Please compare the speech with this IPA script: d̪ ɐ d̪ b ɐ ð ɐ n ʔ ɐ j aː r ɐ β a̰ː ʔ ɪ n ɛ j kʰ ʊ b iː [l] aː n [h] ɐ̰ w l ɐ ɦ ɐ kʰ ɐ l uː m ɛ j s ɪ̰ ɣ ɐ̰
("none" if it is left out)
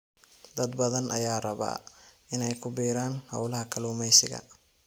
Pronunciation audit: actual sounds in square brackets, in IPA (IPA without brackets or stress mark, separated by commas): ɾ, h